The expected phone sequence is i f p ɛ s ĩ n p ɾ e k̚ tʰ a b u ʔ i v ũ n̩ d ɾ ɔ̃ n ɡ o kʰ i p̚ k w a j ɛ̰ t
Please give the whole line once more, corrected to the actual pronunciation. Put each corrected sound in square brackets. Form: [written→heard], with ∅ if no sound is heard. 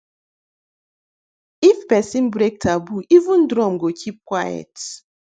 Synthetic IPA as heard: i f p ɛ s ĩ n [p→b] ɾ e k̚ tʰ a b u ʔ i v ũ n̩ d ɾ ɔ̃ [n→m] ɡ o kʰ i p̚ k w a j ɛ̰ t